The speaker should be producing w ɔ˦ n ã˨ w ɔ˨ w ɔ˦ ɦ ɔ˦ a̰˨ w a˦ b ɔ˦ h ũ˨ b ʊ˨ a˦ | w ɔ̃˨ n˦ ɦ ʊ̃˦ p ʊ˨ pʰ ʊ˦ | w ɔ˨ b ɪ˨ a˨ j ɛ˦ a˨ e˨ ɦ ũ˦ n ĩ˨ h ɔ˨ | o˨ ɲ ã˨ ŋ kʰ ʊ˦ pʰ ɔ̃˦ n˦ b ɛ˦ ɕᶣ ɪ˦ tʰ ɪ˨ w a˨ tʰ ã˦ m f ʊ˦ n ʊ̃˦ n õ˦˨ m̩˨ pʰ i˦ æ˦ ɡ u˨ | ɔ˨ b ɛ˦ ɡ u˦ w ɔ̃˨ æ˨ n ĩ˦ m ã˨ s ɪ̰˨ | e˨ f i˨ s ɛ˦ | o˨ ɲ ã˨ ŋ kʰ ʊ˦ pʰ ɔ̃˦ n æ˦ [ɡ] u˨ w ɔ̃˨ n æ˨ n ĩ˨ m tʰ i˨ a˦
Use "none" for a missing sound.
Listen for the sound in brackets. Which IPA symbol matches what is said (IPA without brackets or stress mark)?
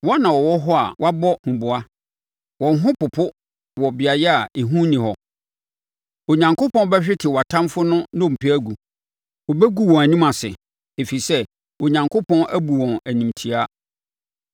b